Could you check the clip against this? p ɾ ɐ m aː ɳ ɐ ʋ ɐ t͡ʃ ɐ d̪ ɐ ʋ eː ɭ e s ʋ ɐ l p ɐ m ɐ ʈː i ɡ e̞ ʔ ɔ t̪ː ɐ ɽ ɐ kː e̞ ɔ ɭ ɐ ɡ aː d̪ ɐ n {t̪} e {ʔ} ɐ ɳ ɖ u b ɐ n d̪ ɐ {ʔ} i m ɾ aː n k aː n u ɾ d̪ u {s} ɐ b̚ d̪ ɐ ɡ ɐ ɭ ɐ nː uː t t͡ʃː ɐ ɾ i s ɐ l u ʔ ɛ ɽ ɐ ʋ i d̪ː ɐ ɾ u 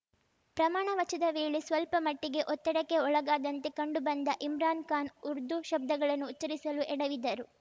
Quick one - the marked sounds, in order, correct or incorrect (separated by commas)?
correct, incorrect, correct, incorrect